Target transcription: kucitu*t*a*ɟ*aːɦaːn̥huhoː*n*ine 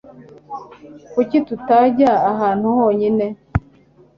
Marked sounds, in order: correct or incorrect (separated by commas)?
correct, correct, incorrect